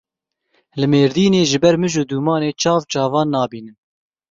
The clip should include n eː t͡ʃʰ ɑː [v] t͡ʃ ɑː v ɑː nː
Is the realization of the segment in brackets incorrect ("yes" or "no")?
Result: no